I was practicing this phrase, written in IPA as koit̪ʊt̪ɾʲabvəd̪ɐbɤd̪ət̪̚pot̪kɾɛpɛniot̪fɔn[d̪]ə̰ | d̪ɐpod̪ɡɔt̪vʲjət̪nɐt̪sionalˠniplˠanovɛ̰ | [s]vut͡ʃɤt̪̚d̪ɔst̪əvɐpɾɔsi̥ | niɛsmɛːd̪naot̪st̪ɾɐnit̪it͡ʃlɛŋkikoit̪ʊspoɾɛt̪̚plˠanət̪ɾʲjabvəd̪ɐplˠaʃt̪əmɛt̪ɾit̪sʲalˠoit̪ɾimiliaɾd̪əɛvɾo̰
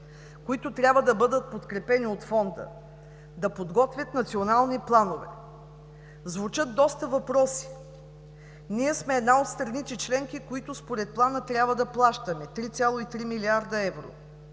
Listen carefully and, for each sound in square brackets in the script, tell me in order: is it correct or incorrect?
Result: correct, incorrect: z

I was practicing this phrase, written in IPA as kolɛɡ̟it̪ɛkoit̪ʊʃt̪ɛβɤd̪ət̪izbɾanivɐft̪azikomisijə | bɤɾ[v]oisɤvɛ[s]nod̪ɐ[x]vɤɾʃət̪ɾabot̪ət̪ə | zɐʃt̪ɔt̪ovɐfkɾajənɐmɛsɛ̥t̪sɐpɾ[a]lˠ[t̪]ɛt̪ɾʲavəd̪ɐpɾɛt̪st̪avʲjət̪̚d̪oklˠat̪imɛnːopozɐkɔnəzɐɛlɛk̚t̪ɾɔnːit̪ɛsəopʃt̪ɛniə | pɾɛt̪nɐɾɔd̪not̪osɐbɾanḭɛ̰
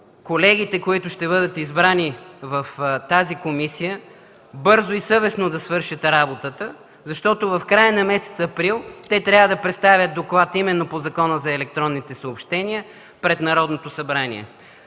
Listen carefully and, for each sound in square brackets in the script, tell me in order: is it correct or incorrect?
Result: incorrect: z, correct, incorrect: s, incorrect: i, correct

